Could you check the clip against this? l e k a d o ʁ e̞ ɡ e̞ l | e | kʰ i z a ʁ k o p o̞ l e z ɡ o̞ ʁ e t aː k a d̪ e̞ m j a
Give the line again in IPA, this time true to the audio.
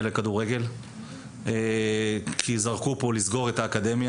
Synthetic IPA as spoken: l e k a d u ʁ e̞ ɡ e̞ l | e | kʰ i z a ʁ k u p o̞ l i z ɡ o̞ ʁ e t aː k a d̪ e̞ m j a